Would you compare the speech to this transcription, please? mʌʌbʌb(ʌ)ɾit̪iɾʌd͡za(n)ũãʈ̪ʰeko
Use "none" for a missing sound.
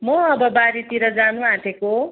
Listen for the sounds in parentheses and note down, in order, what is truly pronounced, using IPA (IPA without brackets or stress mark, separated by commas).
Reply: a, n